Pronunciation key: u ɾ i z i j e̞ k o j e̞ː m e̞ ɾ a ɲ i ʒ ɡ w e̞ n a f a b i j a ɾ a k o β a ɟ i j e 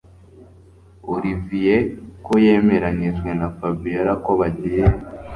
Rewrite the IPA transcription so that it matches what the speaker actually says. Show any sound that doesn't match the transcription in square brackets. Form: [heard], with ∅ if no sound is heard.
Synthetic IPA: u ɾ i [v] i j e̞ k o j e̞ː m e̞ ɾ a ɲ i ʒ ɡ w e̞ n a f a b i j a ɾ a k o β a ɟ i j e